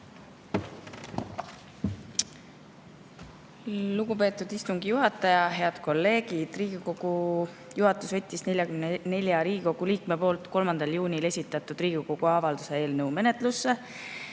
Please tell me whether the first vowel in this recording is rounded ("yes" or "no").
yes